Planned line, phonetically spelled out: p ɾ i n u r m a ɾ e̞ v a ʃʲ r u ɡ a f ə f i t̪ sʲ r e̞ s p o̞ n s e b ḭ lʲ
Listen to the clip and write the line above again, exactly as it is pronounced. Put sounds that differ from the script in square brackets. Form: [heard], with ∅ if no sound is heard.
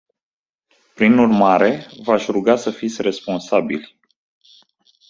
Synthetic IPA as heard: p ɾ i n u r m a ɾ e̞ v a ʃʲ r u ɡ a [s] ə f i t̪ sʲ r e̞ s p o̞ n s [a] b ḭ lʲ